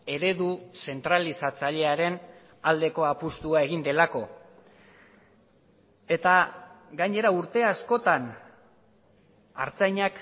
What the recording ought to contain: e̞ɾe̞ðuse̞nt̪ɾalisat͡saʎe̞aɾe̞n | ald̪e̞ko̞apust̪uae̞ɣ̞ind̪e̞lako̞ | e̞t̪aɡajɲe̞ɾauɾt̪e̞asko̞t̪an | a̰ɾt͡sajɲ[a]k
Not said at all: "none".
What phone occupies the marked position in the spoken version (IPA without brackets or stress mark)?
a